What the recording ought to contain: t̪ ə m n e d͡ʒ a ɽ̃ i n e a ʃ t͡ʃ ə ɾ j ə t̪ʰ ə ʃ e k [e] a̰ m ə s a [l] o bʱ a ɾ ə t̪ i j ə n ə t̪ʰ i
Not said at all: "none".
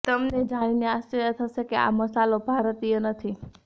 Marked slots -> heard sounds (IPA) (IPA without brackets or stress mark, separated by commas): e, l